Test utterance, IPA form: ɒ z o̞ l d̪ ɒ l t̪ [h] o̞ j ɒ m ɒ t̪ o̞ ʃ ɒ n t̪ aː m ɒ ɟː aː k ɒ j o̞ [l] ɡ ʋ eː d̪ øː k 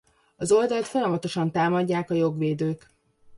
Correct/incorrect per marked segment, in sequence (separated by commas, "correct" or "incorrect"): incorrect, incorrect